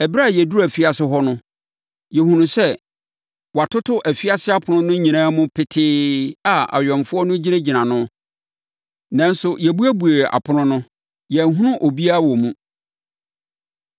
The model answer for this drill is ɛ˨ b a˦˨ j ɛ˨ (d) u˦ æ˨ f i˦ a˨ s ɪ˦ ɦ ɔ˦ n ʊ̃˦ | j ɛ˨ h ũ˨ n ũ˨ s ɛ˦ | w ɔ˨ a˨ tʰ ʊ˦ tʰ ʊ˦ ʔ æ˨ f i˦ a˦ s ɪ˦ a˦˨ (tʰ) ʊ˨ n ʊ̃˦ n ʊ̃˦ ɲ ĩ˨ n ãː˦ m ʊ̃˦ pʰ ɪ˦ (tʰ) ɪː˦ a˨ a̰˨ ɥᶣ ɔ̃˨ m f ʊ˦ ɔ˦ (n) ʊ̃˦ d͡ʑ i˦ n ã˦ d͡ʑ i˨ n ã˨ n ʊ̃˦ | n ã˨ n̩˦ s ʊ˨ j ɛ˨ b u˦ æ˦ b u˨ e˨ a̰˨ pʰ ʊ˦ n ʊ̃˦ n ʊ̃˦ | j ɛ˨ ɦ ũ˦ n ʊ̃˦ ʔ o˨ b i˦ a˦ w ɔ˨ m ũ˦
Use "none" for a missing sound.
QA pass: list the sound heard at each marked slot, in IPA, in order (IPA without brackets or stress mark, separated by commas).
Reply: d, pʰ, tʰ, n